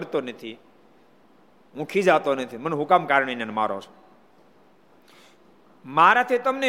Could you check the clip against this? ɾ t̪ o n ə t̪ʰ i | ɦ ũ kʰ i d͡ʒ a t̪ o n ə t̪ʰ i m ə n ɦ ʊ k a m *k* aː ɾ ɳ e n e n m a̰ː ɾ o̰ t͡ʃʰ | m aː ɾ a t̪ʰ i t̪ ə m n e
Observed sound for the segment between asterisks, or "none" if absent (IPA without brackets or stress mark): k